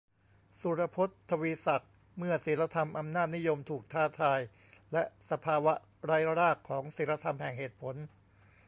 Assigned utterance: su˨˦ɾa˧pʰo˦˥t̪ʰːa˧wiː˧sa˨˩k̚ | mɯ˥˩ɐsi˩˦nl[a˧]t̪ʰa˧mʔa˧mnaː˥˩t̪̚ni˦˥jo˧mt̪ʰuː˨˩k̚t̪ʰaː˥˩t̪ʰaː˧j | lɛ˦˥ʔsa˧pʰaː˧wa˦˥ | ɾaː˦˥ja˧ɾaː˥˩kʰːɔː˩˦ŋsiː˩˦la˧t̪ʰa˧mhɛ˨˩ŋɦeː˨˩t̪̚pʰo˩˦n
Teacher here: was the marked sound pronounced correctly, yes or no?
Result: yes